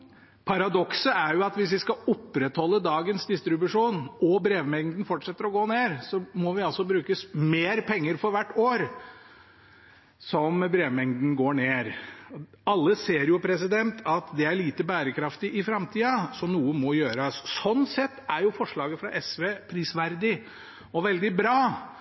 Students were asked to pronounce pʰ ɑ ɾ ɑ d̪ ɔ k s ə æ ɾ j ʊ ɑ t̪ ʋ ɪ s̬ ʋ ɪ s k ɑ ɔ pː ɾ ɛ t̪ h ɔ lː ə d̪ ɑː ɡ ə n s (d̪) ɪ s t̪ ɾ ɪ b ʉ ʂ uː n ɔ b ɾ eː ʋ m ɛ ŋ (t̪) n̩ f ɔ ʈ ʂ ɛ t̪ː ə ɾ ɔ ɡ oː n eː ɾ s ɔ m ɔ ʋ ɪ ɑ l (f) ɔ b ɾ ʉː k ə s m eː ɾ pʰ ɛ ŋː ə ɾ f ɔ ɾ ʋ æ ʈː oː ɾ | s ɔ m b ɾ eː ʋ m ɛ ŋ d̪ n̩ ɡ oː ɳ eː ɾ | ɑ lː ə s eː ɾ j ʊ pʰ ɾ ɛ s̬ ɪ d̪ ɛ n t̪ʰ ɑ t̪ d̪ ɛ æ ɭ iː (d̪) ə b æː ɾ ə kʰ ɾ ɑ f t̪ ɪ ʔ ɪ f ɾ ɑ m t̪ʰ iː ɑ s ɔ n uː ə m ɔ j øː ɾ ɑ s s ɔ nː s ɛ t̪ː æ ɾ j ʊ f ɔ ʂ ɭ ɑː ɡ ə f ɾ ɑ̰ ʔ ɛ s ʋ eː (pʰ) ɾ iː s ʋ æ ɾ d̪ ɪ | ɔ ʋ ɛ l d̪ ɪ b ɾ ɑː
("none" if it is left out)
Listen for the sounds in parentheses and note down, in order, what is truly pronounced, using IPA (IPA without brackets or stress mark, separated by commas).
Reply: d̪, d̪, s, t̪, pʰ